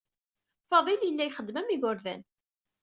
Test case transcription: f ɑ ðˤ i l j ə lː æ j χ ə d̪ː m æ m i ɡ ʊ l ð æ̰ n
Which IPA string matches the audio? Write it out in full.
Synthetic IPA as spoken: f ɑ ðˤ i l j ə lː æ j χ ə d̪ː m æ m i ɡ ʊ ɾ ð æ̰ n